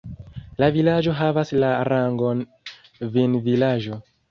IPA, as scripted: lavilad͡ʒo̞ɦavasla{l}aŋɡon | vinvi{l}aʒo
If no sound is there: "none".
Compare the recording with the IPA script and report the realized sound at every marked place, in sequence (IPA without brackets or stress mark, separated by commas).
ɾ, l